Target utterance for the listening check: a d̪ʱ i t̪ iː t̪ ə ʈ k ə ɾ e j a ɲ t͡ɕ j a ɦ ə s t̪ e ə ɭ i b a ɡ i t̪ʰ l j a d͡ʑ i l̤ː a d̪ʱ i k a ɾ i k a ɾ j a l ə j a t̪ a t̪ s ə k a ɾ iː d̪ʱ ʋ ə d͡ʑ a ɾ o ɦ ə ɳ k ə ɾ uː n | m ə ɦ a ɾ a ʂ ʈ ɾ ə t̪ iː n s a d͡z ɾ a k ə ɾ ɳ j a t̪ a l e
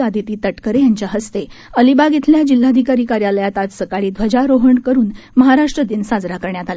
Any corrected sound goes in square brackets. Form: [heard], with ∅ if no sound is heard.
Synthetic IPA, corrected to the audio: a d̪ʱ i t̪ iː t̪ ə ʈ k ə ɾ e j a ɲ t͡ɕ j a ɦ ə s t̪ e ə [l] i b a ɡ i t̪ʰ l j a d͡ʑ i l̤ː a d̪ʱ i k a ɾ i k a ɾ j a l ə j a t̪ a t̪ s ə k a [ɭ] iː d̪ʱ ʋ ə d͡ʑ a ɾ o ɦ ə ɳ k ə ɾ uː n | m ə ɦ a ɾ a ʂ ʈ ɾ ə [d̪] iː n s a d͡z ɾ a k ə ɾ ɳ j a t̪ a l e

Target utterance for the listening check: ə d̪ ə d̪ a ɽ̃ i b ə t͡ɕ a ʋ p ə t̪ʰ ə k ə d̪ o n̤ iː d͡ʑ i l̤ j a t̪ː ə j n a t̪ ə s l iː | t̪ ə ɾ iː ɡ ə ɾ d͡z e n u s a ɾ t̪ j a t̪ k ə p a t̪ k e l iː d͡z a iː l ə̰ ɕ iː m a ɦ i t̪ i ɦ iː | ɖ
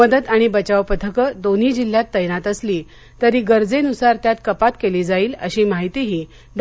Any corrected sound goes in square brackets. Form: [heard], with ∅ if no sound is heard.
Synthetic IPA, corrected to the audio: ə d̪ ə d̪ a ɽ̃ i b ə t͡ɕ a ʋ p ə t̪ʰ ə k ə d̪ o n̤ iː d͡ʑ i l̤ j a t̪ː ə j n a t̪ ə s l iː | t̪ ə ɾ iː ɡ ə ɾ d͡z e n u s a ɾ t̪ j a t̪ k ə p a t̪ k e l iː d͡z a iː l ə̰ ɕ iː m a ɦ i t̪ i ɦ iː | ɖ

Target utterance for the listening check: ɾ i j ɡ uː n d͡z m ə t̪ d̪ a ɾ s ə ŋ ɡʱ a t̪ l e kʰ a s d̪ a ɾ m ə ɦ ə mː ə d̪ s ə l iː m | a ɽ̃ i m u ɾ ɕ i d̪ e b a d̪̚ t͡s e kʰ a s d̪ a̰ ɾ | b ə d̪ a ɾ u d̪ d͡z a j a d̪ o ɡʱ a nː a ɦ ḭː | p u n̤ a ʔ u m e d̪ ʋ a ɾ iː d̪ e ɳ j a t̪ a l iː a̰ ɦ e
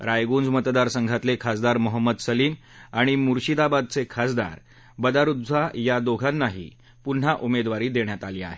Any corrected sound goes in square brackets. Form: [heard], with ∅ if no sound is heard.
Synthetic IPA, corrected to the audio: ɾ [a] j ɡ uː n d͡z m ə t̪ d̪ a ɾ s ə ŋ ɡʱ a t̪ l e kʰ a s d̪ a ɾ m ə ɦ ə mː ə d̪ s ə l iː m | a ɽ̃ i m u ɾ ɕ i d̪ [a] b a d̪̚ t͡s e kʰ a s d̪ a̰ ɾ | b ə d̪ a ɾ u d̪ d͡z a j a d̪ o ɡʱ a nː a ɦ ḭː | p u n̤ a ʔ u m e d̪ ʋ a ɾ iː d̪ e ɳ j a t̪ a l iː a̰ ɦ e

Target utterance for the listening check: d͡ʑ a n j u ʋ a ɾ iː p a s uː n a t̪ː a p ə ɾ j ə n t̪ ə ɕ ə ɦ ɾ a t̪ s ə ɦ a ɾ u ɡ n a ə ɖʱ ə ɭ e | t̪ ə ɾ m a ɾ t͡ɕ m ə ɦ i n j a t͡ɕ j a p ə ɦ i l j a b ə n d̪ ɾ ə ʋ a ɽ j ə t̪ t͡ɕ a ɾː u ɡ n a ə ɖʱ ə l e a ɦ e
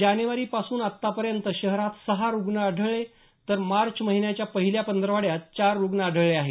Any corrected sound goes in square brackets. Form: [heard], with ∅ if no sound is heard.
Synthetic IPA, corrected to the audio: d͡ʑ a n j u ʋ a ɾ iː p a s uː n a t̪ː a p ə ɾ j ə n t̪ ə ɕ ə ɦ ɾ a t̪ s ə ɦ a ɾ u ɡ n a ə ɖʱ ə ɭ e | t̪ ə ɾ m a ɾ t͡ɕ m ə ɦ i n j a t͡ɕ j a p ə ɦ i l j a [p] ə n d̪ ɾ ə ʋ a ɽ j [a] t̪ t͡ɕ a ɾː u ɡ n a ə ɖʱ ə [ɭ] e a ɦ e

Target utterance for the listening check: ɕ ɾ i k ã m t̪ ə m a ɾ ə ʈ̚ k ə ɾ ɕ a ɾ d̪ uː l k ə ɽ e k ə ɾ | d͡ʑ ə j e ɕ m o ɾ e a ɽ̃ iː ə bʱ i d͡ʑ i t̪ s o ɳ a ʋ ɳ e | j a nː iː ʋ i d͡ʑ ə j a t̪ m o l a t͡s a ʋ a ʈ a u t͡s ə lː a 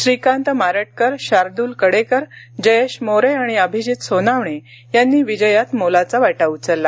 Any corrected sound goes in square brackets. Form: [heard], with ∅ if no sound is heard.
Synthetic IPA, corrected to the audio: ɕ ɾ i k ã [n] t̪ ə m a ɾ ə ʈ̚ k ə ɾ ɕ a ɾ d̪ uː l k ə ɽ e k ə ɾ | d͡ʑ ə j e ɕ m o ɾ e a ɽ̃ [i] ə bʱ i d͡ʑ i t̪ s o [n] a ʋ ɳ e | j a nː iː ʋ i d͡ʑ ə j a t̪ m o l a t͡s a ʋ a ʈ a u t͡s ə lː a

